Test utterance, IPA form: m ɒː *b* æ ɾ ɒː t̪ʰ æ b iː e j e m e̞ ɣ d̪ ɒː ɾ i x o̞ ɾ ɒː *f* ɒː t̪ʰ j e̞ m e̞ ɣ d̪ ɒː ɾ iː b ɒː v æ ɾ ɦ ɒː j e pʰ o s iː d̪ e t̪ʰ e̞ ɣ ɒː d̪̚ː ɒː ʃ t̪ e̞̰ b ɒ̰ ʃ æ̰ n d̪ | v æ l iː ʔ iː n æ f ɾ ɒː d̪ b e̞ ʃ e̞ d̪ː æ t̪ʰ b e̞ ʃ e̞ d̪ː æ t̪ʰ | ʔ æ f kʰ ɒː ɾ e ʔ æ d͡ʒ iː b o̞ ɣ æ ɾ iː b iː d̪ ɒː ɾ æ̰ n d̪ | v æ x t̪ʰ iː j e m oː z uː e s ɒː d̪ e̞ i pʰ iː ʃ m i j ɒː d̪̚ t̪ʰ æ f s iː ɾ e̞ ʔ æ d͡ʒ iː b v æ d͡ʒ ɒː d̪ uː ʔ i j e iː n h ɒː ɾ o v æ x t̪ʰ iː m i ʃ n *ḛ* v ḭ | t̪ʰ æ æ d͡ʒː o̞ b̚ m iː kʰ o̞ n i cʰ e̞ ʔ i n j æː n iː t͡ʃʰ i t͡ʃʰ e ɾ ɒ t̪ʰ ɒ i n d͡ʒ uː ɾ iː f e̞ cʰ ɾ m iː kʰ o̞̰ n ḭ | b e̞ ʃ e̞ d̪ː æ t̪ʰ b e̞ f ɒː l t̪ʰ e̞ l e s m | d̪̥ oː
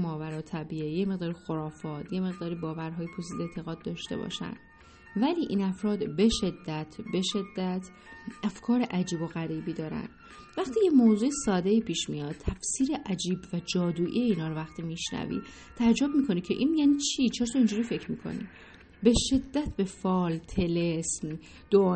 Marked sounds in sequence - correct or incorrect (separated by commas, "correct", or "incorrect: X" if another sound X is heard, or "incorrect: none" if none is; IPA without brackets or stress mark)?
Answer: incorrect: v, correct, incorrect: æ̰